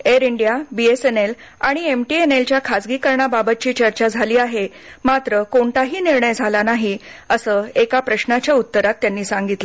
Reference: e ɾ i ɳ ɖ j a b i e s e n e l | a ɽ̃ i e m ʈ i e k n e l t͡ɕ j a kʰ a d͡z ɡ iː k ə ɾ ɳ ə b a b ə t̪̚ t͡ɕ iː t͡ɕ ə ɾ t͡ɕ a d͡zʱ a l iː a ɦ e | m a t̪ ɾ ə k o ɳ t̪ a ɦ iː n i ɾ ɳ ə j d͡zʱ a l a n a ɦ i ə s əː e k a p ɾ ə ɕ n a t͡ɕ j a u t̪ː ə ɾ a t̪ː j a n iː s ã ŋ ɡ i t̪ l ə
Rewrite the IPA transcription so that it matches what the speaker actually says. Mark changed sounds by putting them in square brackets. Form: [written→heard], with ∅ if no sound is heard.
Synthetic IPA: e ɾ i ɳ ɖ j a b i e s e n e l | a ɽ̃ i e m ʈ i e [k→∅] n e l t͡ɕ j a kʰ a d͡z ɡ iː k ə ɾ ɳ [ə→a] b a b ə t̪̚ t͡ɕ iː t͡ɕ ə ɾ t͡ɕ a d͡zʱ a l iː a ɦ e | m a t̪ ɾ ə k o ɳ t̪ a ɦ iː n i ɾ ɳ ə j d͡zʱ a l a n a ɦ i ə s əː e k a p ɾ ə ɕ n a t͡ɕ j a u t̪ː ə ɾ a t̪ː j a [n→nː] iː s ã ŋ ɡ i t̪ l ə

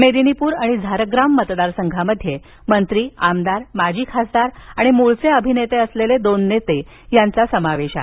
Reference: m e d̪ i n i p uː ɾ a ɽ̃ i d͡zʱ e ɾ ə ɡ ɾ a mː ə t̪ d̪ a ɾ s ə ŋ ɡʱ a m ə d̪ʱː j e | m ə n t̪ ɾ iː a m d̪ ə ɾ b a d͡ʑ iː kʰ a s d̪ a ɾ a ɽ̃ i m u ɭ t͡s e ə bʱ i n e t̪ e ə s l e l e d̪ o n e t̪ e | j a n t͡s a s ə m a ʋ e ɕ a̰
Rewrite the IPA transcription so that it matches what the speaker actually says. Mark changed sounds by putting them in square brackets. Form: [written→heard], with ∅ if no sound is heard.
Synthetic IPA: m e d̪ i n i p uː ɾ a ɽ̃ i d͡zʱ [e→a] ɾ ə ɡ ɾ a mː ə t̪ d̪ a ɾ s ə ŋ ɡʱ a m ə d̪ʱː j e | m ə n t̪ ɾ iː a m d̪ [ə→a] ɾ [b→m] a d͡ʑ iː kʰ a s d̪ a ɾ a ɽ̃ i m u ɭ t͡s e ə bʱ i n e t̪ e ə s l e l e d̪ o [n→nː] e t̪ e | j a n t͡s a s ə m a ʋ e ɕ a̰

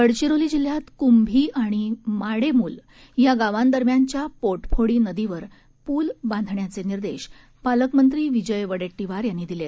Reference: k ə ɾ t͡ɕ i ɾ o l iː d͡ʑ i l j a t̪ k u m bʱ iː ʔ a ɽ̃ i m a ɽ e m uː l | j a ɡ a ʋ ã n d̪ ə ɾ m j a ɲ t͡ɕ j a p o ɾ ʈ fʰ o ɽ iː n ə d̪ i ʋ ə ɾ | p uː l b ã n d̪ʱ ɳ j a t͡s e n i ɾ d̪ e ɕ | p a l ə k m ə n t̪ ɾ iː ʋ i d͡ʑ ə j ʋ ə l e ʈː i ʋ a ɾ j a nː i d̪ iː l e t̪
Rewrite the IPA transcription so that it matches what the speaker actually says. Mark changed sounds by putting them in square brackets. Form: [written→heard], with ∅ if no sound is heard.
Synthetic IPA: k ə [ɾ→ɽ] t͡ɕ i ɾ o l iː d͡ʑ i l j a t̪ k u m bʱ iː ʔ a ɽ̃ i m a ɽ e m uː l | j a ɡ a ʋ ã n d̪ ə ɾ m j a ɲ t͡ɕ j a p o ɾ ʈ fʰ o ɽ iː n ə d̪ i ʋ ə ɾ | p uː l b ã n d̪ʱ ɳ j a t͡s e n i ɾ d̪ e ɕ | p a l ə k m ə n t̪ ɾ iː ʋ i d͡ʑ ə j ʋ ə [l→ɽ] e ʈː i ʋ a ɾ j a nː i d̪ [iː→i] l e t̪

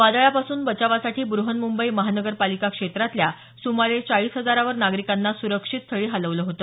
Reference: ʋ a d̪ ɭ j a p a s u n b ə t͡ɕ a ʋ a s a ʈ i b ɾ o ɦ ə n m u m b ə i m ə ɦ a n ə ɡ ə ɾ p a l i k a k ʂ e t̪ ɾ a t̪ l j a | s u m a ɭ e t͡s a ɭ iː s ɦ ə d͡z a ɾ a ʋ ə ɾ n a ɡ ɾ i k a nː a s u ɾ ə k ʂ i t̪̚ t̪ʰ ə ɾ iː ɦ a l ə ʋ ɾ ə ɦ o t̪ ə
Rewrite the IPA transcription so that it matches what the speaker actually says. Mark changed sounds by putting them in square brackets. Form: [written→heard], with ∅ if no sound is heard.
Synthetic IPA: ʋ a d̪ ɭ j a p a s [u→uː] n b ə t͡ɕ a ʋ a s a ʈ [i→iː] b ɾ [o→u] ɦ ə n m u m b ə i m ə ɦ a n ə ɡ ə ɾ p a l i k a k ʂ e t̪ ɾ a t̪ l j a | s u m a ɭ e t͡s a ɭ iː s ɦ ə d͡z a ɾ a ʋ ə ɾ n a ɡ ɾ i k a nː a s u ɾ ə k ʂ i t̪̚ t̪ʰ ə [ɾ→ɭ] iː ɦ a l ə ʋ [ɾ→l] ə ɦ o t̪ ə

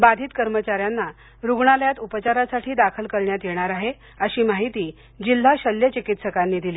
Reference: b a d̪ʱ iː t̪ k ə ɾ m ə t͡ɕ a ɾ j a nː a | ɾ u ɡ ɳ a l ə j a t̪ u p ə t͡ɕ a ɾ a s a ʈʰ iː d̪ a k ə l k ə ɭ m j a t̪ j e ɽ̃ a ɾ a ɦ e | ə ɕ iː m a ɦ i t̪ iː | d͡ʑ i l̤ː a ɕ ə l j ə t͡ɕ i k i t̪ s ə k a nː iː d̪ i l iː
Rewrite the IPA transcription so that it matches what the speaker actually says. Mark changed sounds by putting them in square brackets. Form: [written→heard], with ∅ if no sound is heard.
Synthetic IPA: b a d̪ʱ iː t̪ k ə ɾ m ə t͡ɕ a ɾ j a nː a | ɾ u ɡ ɳ a l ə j a t̪ u p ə t͡ɕ a ɾ a s a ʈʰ iː d̪ a [k→kʰ] ə l k ə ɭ [m→ɳ] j a t̪ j e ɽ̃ a ɾ a ɦ e | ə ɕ iː m a ɦ i t̪ iː | d͡ʑ i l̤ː a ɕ ə l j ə t͡ɕ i k i t̪ s ə k a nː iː d̪ i l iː

